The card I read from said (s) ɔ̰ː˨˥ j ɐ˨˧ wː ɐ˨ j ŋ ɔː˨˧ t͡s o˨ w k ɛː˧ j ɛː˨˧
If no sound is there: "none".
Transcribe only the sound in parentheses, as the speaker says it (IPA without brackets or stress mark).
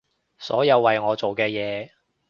s